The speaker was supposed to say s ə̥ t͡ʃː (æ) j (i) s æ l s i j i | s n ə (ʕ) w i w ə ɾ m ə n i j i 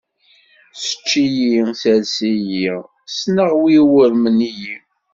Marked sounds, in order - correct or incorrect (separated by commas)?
incorrect, correct, incorrect